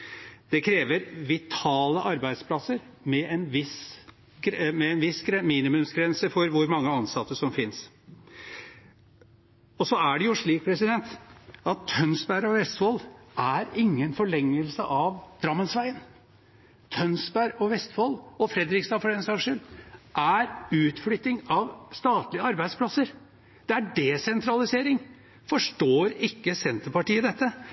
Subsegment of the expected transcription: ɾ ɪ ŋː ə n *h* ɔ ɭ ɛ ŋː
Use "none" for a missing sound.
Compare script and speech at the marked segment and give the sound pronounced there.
f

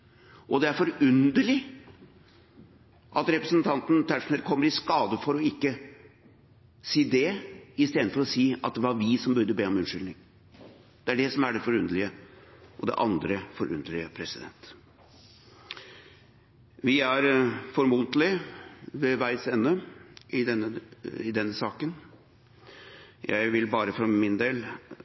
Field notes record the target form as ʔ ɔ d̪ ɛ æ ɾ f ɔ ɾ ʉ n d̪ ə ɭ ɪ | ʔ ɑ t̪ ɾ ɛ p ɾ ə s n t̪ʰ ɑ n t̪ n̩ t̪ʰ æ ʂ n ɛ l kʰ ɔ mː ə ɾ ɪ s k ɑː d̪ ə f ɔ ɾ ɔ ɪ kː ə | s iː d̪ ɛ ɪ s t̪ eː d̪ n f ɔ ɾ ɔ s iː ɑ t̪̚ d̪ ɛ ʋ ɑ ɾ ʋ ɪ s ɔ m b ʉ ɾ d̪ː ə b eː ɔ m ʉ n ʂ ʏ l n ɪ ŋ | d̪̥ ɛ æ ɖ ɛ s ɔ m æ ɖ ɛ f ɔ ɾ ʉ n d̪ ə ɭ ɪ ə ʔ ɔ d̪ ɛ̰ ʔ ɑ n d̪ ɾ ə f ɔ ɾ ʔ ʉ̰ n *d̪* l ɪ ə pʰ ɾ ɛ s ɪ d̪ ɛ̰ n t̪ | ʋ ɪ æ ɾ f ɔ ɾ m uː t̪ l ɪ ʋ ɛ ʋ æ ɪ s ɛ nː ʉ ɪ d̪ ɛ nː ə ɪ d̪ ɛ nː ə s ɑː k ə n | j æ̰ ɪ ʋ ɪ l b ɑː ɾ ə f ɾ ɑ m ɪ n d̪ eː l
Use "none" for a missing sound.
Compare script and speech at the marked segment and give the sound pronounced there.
d̪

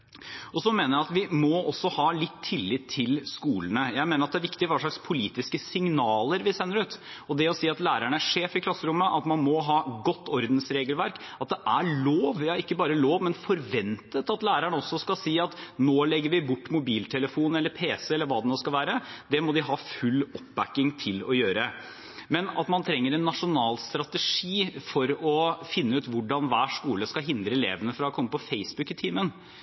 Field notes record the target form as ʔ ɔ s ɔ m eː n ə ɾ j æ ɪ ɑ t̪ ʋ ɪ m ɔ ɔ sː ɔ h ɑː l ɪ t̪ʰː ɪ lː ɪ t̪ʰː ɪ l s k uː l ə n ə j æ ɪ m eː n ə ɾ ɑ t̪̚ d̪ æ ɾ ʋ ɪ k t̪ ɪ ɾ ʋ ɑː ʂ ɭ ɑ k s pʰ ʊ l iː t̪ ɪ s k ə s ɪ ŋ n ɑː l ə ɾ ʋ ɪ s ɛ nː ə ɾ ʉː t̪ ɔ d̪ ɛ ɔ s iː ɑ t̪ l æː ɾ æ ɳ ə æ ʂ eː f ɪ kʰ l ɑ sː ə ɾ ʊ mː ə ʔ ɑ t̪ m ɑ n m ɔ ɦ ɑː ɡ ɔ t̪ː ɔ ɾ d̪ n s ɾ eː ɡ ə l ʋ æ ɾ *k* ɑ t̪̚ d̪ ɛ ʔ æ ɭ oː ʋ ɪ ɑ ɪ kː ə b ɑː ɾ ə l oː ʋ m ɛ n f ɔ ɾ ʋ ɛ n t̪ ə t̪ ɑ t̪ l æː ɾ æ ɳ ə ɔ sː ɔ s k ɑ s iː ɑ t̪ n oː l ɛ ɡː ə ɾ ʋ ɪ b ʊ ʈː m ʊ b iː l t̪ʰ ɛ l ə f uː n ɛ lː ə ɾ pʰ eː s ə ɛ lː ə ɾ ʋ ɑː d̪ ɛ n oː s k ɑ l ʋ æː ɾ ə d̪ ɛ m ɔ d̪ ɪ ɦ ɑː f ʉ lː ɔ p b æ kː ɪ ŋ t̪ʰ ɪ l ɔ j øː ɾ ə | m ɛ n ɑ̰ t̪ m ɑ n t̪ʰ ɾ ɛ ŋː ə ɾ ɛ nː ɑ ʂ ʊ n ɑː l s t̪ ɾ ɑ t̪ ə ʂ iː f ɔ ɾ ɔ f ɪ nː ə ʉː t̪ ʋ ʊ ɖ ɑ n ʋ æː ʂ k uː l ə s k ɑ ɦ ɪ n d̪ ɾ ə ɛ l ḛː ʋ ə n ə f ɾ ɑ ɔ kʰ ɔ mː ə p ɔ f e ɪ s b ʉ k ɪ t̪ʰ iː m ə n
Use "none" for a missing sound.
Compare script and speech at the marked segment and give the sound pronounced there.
k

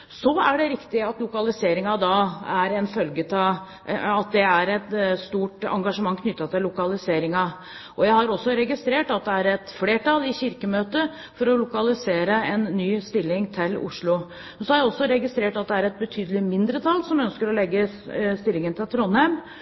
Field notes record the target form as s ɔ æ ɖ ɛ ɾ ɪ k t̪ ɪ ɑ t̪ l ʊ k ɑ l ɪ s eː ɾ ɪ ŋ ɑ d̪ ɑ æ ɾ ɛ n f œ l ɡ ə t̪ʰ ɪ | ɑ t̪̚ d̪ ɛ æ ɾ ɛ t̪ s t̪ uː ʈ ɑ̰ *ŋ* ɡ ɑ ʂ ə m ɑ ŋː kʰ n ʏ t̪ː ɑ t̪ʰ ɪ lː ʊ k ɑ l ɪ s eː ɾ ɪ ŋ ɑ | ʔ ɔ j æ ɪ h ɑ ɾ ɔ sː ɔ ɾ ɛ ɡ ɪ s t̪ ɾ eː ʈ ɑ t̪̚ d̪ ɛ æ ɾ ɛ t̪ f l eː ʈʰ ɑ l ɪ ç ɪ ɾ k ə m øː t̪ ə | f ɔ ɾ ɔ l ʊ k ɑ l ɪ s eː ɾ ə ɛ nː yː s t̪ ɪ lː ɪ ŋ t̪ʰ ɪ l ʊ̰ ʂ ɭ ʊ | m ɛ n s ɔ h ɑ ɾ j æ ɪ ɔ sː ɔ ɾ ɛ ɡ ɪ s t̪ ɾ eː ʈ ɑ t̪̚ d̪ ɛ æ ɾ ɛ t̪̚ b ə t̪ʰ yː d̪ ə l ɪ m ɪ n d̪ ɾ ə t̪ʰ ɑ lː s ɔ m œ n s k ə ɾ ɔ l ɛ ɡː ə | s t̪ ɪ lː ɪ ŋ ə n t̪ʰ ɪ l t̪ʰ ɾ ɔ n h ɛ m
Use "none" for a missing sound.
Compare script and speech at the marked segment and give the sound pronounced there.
ŋ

